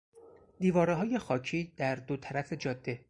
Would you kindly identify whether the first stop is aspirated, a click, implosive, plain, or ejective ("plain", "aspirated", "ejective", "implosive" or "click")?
plain